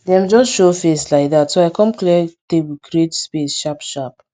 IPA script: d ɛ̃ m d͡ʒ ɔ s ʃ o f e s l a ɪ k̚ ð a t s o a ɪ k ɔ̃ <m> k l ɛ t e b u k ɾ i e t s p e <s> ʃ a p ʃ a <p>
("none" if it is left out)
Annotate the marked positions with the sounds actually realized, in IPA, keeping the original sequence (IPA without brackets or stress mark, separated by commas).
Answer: m, s, p